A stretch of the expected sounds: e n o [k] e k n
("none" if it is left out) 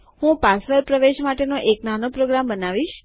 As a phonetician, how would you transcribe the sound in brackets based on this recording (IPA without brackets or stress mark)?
ʔ